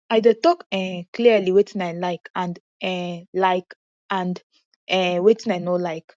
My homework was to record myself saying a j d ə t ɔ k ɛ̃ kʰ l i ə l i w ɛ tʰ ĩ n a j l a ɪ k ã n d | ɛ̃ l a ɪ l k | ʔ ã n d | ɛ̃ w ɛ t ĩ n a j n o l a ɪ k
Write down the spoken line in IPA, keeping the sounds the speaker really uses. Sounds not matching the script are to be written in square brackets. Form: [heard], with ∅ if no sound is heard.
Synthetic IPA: a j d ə t ɔ k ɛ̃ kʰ l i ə l i w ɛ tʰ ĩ n a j l a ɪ k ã n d | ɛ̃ l a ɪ [∅] k | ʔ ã n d | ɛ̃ w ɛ t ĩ n a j n o l a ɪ k